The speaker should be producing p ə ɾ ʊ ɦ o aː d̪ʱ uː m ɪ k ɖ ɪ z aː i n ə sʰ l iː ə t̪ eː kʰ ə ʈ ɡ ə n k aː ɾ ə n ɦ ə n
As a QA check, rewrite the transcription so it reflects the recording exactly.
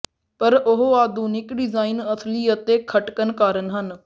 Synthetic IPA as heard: p ə ɾ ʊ ɦ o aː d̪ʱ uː n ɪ k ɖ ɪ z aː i n ə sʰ l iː ə t̪ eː kʰ ə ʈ k ə n k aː ɾ ə n ɦ ə n